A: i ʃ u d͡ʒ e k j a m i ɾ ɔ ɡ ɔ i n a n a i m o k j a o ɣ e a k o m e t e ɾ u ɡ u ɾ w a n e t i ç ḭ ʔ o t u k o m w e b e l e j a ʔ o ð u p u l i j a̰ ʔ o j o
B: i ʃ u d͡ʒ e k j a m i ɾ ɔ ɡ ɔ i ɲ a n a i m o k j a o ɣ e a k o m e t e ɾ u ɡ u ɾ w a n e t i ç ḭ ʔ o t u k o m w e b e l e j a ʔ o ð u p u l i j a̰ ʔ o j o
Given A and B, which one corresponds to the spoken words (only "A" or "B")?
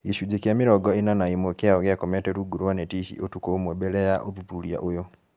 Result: A